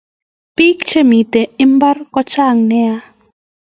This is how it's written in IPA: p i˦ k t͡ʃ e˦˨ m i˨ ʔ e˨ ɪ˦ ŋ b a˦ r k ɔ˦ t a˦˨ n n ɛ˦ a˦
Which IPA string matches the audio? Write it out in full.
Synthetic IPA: p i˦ k t͡ʃ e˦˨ m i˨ t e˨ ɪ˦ m b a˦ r k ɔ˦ t͡ʃ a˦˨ ŋ n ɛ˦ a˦